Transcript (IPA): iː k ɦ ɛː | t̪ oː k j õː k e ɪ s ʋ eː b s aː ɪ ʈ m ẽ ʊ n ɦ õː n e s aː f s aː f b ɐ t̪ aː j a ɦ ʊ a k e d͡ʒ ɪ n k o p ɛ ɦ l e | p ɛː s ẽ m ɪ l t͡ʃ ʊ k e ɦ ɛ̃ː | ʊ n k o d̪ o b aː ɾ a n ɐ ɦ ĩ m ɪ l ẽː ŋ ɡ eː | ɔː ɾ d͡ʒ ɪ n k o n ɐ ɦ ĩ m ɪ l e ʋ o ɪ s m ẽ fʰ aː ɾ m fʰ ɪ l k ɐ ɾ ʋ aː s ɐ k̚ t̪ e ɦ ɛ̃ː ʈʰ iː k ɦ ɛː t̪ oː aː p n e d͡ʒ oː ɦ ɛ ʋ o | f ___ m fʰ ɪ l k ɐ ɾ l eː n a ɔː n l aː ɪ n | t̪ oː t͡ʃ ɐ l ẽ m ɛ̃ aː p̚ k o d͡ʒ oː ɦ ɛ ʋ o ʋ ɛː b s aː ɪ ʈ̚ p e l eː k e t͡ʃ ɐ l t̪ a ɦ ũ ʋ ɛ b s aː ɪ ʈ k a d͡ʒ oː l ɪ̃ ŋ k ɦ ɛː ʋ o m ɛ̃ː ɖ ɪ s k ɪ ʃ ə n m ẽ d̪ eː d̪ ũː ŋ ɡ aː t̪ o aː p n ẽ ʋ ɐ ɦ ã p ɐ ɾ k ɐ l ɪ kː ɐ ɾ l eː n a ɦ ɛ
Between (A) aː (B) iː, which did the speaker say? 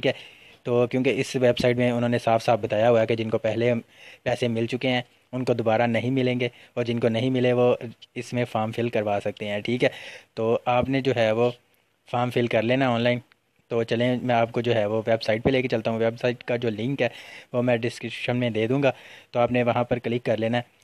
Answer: A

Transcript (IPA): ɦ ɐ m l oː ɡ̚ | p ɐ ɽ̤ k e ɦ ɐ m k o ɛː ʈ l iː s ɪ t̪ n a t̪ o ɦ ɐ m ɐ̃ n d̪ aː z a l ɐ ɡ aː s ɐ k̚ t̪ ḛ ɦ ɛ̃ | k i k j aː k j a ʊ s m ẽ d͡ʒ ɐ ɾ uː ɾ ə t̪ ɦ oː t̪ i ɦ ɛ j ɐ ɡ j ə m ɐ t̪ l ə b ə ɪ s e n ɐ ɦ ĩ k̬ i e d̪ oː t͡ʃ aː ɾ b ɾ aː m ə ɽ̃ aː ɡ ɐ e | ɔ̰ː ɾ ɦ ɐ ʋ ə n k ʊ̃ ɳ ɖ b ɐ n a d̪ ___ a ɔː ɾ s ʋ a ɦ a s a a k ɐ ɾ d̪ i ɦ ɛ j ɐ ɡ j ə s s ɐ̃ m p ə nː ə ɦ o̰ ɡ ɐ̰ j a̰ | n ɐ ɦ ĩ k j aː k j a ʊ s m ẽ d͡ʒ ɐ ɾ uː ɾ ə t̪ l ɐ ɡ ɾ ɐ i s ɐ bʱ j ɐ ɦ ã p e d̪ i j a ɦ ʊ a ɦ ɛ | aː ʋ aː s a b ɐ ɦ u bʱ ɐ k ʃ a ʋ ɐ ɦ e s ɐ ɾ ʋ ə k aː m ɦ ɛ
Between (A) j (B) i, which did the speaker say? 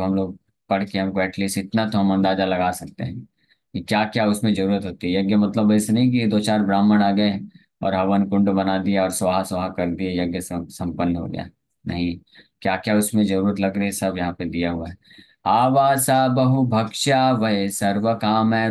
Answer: B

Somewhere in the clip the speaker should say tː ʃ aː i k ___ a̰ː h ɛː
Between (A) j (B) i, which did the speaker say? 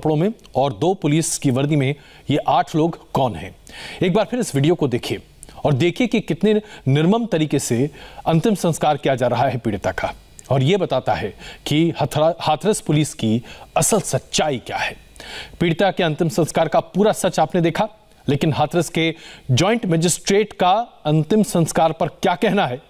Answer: A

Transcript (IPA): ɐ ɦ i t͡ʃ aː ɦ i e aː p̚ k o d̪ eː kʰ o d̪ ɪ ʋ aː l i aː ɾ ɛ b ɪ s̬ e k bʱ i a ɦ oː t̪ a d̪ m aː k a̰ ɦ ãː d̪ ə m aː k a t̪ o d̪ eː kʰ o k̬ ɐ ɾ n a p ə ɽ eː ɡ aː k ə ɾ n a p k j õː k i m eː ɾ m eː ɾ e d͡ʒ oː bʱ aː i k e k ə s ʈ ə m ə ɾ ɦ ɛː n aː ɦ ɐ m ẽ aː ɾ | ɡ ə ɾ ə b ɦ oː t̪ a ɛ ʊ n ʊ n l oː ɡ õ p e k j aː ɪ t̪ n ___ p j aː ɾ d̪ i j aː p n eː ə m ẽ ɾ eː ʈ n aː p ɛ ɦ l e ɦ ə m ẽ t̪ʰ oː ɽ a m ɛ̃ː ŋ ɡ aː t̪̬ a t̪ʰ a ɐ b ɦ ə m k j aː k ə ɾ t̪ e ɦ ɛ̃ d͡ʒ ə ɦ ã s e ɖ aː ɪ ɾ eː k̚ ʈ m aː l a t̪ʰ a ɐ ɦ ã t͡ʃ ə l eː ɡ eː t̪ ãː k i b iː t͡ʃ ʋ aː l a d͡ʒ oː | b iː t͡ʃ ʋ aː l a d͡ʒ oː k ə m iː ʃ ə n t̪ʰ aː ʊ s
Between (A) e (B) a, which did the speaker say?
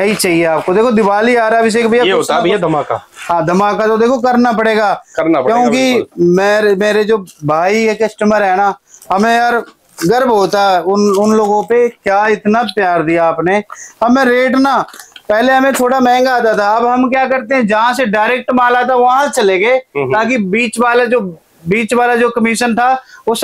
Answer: B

